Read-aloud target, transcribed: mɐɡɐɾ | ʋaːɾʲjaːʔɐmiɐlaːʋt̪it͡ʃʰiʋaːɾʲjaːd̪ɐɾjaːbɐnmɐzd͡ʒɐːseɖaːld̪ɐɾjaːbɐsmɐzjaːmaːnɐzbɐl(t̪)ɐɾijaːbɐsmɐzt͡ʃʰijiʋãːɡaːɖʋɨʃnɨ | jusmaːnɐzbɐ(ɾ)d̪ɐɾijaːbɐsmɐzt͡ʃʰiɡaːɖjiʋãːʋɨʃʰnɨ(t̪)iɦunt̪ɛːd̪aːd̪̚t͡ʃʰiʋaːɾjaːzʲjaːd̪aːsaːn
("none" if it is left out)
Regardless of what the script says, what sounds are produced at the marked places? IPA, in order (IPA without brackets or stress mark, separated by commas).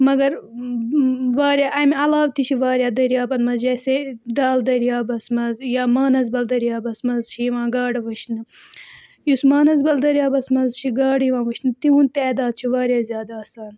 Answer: d̪, l, t̪